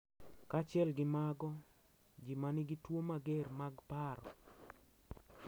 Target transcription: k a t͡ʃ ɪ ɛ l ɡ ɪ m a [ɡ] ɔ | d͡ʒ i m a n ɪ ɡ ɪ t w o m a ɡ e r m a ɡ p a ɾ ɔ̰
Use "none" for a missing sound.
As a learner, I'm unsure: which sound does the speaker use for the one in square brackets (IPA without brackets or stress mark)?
ɡ